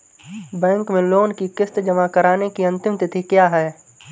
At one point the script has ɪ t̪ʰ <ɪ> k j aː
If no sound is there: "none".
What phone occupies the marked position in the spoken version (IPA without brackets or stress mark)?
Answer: i